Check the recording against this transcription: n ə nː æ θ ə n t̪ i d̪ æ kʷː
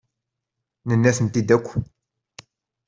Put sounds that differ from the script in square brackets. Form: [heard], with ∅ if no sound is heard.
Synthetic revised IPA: n ə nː æ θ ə n t̪ i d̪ æ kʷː